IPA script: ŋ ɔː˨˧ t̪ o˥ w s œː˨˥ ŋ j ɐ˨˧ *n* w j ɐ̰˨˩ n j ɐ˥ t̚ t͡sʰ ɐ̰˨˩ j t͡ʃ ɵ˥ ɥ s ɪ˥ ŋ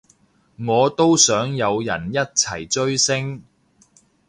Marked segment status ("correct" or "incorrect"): incorrect